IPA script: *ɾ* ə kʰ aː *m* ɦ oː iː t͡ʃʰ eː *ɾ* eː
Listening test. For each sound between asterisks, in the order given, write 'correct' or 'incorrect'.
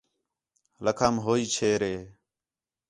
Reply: incorrect: l, correct, correct

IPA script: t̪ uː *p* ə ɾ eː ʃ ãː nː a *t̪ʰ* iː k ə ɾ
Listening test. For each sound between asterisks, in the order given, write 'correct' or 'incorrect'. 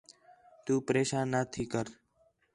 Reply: correct, correct

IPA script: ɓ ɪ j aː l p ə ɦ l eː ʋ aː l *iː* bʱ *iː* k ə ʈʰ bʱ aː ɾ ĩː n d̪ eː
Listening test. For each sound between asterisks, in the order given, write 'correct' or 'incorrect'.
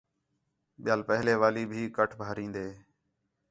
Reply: correct, correct

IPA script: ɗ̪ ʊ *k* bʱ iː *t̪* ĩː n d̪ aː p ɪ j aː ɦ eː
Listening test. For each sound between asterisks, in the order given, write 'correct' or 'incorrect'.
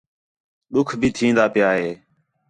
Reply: incorrect: kʰ, incorrect: t̪ʰ

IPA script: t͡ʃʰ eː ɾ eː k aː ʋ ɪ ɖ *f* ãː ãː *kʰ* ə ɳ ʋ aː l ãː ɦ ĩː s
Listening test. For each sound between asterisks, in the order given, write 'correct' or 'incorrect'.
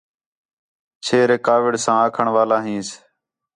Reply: incorrect: s, correct

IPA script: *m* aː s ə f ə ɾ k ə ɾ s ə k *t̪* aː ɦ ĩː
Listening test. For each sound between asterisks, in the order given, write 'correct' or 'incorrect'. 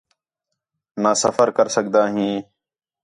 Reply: incorrect: n, incorrect: d̪

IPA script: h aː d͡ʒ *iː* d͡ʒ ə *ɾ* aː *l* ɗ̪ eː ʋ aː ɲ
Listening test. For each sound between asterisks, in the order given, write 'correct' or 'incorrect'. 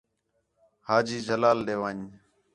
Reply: correct, incorrect: l, correct

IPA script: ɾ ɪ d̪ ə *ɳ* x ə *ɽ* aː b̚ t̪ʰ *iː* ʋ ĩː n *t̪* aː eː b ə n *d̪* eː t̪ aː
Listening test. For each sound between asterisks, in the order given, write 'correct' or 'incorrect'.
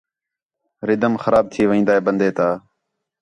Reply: incorrect: m, incorrect: ɾ, correct, incorrect: d̪, correct

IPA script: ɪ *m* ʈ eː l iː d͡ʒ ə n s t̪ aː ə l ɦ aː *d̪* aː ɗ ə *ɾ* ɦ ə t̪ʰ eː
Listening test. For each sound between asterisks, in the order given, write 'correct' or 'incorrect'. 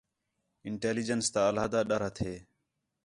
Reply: incorrect: ɳ, correct, correct

